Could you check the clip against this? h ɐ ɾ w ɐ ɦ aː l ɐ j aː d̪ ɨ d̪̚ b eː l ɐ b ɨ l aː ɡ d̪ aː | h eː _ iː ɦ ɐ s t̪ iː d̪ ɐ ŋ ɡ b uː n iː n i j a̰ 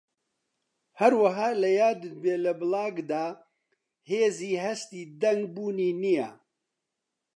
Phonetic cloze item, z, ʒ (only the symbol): z